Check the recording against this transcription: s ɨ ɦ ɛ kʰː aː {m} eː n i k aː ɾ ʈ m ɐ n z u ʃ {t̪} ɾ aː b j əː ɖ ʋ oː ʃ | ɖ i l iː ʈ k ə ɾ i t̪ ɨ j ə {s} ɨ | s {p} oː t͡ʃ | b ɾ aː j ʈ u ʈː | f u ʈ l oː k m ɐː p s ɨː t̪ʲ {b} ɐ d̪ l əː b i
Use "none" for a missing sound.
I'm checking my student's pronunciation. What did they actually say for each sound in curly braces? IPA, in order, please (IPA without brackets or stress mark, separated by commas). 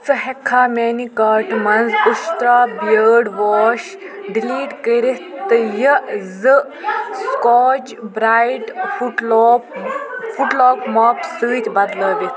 m, t̪, z, k, b